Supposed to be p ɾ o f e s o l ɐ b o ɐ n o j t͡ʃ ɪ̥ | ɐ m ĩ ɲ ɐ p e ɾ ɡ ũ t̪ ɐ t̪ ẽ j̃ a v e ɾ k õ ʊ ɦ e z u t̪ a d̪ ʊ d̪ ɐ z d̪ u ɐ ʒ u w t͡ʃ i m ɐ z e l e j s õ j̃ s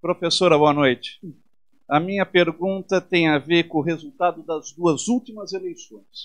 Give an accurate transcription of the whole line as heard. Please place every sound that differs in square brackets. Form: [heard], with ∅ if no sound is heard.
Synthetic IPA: p ɾ o f e s o [ɾ] ɐ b o ɐ n o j t͡ʃ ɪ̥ | ɐ m ĩ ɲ ɐ p e ɾ ɡ ũ t̪ ɐ t̪ ẽ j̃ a v e ɾ k õ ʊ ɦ e z u t̪ a d̪ ʊ d̪ ɐ z d̪ u ɐ [z] u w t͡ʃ i m ɐ z e l e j s õ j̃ s